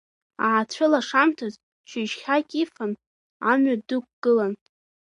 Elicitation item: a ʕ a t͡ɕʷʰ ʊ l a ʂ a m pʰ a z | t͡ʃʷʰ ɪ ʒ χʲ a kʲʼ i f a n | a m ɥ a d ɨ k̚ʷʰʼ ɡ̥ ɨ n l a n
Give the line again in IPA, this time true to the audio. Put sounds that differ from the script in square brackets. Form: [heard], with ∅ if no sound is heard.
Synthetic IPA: a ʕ a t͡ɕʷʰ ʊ l a ʂ a m [tʰ] a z | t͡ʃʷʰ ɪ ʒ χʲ a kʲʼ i f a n | a m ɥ a d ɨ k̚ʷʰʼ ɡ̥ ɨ [∅] l a n

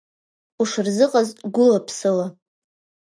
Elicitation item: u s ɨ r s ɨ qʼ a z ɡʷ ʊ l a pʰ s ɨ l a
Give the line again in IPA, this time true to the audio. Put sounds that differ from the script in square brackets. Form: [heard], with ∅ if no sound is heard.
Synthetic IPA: u [ʂ] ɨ r [z] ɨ qʼ a z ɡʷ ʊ l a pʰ s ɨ l a

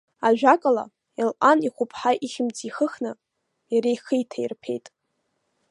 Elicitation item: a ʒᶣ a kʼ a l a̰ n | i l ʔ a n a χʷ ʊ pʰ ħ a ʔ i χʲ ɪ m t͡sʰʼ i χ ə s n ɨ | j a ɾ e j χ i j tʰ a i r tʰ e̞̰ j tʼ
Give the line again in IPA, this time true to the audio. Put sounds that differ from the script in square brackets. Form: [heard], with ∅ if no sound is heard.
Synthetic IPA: a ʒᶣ a kʼ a l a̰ [∅] | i l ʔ a n [i] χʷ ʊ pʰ ħ a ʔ i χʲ ɪ m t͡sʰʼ i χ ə [χ] n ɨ | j a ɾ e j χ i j tʰ a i r [pʰ] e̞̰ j tʼ

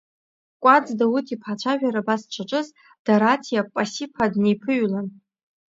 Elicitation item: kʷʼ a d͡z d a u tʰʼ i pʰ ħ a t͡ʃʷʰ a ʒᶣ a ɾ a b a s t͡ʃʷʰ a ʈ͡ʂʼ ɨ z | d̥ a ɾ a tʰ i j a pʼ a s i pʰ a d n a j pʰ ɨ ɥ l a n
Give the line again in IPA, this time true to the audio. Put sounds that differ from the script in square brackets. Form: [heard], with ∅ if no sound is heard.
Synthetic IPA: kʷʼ a d͡z d a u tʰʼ i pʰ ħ a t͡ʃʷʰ a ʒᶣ a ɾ a b a s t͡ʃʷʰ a ʈ͡ʂʼ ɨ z | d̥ a ɾ a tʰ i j a pʼ a s i pʰ a d n [e] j pʰ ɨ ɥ l a n

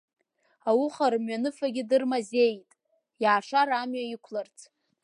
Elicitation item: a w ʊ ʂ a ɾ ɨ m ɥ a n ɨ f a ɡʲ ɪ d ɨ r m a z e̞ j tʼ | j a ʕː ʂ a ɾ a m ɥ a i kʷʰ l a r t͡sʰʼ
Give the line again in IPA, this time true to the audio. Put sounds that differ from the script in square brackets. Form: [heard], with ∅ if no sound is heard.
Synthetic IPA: a w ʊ [χ] a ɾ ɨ m ɥ a n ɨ f a ɡʲ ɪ d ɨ r m a z e̞ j tʼ | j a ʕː ʂ a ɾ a m ɥ a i kʷʰ l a r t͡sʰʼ

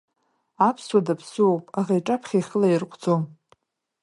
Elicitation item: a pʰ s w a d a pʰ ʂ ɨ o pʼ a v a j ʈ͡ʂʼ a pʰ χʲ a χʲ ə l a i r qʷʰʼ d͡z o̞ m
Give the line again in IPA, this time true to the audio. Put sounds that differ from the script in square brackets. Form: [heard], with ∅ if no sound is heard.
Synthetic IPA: a pʰ s w a d a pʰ [s] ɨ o pʼ a [ʁ] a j ʈ͡ʂʼ a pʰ χʲ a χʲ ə l a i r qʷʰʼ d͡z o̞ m

